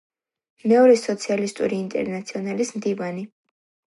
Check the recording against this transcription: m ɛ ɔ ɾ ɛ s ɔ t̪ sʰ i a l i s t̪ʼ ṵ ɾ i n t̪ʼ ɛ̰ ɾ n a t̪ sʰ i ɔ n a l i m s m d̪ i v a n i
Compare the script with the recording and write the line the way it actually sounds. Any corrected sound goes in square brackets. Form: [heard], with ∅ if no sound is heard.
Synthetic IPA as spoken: m ɛ ɔ ɾ ɛ s ɔ t̪ sʰ i a l i s t̪ʼ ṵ ɾ [iː] n t̪ʼ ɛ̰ ɾ n a t̪ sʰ i ɔ n a l i [∅] s m d̪ i v a n i